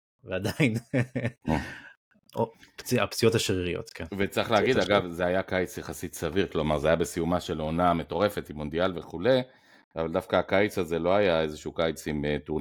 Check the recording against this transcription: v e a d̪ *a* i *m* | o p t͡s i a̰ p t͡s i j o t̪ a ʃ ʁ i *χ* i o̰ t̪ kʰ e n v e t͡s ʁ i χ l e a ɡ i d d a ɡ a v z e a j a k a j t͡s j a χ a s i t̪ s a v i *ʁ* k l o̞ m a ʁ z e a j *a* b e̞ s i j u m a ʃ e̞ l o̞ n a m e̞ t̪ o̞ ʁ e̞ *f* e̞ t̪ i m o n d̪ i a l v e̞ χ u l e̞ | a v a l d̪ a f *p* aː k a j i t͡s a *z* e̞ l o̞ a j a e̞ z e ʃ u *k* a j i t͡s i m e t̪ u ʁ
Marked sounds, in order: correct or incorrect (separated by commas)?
correct, incorrect, incorrect, correct, correct, correct, incorrect, correct, correct